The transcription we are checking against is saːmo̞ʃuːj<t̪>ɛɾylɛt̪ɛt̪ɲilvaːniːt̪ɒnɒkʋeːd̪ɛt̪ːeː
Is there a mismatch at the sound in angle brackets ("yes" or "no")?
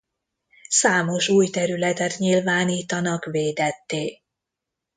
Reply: no